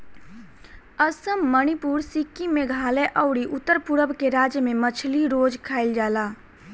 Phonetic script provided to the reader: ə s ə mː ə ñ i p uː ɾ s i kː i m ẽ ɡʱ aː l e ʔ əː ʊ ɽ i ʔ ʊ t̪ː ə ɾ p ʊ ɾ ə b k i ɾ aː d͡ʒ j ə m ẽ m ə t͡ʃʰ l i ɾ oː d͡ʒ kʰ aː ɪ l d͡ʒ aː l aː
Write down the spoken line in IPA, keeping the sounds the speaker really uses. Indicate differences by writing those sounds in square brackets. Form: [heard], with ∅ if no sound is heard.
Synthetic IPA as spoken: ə s ə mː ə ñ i p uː ɾ s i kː i m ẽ ɡʱ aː l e ʔ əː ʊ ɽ i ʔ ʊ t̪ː ə ɾ p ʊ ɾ ə b k [e] ɾ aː d͡ʒ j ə m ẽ m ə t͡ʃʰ l i ɾ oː d͡ʒ kʰ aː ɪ l d͡ʒ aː l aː